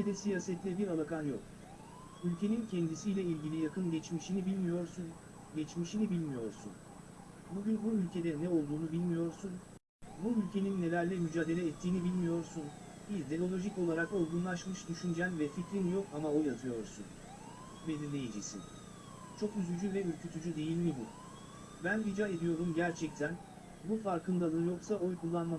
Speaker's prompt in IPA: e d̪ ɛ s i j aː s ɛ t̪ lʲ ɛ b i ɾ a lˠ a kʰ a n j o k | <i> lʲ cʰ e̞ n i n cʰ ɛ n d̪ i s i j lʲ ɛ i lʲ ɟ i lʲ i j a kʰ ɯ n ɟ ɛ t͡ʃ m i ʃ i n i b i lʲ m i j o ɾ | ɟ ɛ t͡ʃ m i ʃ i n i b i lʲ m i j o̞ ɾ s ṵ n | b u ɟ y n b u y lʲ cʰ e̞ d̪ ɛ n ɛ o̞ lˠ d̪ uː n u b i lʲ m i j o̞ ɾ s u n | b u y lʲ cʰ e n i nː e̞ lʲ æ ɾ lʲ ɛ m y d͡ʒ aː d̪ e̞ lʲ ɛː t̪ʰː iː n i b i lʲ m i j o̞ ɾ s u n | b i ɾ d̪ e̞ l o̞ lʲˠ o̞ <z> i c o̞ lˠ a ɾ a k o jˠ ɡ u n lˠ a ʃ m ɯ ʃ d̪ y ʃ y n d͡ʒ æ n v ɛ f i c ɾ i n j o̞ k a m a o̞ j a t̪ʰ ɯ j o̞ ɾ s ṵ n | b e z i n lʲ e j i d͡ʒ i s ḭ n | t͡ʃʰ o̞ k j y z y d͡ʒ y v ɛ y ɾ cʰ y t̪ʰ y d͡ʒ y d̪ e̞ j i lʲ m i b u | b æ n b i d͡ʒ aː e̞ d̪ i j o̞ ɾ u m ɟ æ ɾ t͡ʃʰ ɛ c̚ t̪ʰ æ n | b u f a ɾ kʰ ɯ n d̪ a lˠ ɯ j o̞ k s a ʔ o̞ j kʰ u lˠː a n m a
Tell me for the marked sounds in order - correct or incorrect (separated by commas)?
incorrect, incorrect